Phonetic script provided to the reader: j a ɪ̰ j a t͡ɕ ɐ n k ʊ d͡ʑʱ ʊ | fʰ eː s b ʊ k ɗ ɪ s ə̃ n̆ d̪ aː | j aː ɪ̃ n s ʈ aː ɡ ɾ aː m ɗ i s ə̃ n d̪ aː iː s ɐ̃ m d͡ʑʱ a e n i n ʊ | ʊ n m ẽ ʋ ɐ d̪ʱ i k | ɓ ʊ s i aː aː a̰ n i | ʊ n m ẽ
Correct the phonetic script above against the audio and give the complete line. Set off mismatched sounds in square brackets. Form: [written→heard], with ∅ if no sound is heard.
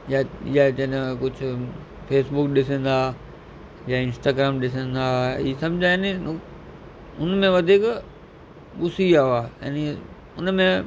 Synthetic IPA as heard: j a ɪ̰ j a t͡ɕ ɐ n k ʊ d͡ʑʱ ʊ | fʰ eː s b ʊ k ɗ ɪ s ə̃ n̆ d̪ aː | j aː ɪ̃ n s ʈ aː ɡ ɾ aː m ɗ [i→ɪ] s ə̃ n d̪ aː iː s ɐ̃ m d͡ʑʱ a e n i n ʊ | ʊ n m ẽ ʋ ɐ d̪ʱ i k | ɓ ʊ s i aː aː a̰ n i | ʊ n m ẽ